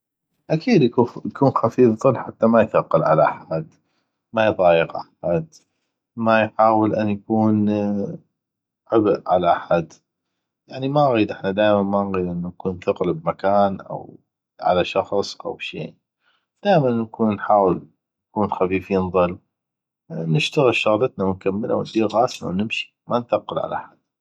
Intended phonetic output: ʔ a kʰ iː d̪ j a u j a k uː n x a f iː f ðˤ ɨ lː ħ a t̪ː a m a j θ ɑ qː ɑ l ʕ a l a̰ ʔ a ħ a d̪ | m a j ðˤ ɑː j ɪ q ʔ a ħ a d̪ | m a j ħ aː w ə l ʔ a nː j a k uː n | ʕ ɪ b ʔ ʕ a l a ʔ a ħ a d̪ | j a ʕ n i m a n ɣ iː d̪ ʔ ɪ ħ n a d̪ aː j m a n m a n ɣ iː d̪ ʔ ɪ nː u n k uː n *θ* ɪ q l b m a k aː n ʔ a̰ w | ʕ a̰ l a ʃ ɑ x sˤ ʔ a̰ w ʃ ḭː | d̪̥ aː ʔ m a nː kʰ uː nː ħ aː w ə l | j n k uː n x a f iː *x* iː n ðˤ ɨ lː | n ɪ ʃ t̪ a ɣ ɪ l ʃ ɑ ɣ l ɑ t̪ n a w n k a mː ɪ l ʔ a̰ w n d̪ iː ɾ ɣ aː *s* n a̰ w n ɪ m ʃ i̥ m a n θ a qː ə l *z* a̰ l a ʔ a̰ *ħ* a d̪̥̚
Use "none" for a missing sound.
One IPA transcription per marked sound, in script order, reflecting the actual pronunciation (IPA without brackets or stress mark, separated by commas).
θ, f, s, ʕ, ħ